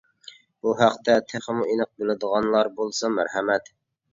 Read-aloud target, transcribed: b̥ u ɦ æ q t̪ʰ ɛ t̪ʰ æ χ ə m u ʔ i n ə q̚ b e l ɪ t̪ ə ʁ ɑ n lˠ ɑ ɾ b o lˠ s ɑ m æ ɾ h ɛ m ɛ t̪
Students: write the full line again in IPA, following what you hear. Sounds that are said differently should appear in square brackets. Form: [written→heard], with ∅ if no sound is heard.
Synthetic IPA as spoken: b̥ u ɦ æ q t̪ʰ ɛ t̪ʰ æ χ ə m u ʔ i n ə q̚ b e l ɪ [t̪→d̪] ə ʁ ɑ n lˠ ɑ ɾ b o lˠ s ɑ m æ ɾ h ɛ m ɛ t̪